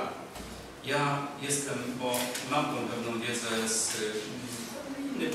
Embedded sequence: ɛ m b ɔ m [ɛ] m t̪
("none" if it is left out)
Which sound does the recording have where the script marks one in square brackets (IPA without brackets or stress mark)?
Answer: a